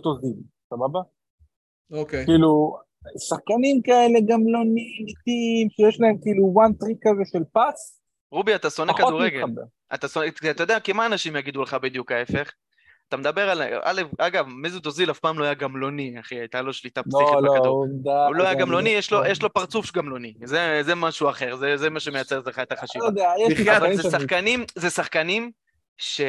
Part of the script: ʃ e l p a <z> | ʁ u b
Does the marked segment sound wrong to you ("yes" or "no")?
yes